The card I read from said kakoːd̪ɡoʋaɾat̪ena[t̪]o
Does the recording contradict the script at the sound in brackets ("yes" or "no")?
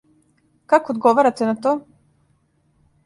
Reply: no